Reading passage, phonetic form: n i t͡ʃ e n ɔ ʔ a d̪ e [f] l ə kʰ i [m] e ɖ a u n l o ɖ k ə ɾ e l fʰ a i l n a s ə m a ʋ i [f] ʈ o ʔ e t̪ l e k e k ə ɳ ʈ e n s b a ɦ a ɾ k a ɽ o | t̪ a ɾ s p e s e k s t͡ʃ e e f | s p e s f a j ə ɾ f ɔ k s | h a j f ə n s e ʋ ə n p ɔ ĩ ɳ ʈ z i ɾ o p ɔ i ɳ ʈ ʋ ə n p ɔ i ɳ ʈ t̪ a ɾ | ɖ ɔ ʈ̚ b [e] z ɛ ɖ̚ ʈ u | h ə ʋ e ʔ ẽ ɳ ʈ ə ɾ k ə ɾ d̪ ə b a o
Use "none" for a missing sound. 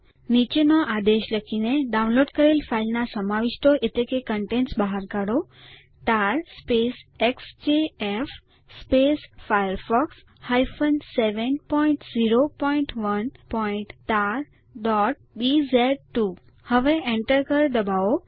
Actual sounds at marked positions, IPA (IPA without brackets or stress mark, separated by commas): ʃ, n, ʃ, i